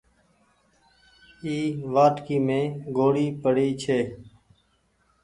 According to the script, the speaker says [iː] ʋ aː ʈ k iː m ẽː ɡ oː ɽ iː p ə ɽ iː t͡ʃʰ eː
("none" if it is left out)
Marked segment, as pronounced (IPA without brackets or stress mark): iː